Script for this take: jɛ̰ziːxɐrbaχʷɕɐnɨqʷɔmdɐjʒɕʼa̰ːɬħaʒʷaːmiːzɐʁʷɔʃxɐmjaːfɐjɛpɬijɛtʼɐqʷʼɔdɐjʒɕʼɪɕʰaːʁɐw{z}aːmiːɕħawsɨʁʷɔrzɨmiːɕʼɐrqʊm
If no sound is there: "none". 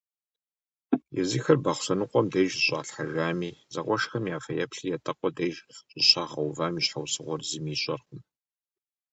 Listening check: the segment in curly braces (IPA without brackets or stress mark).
v